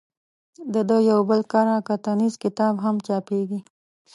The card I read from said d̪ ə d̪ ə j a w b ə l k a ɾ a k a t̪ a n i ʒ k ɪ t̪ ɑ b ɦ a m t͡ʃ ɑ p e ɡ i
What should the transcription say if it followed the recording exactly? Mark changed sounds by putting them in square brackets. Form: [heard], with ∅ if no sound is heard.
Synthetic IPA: d̪ ə d̪ ə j a w b ə l k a ɾ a k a t̪ a n i [z] k ɪ t̪ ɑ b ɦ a m t͡ʃ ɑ p e ɡ i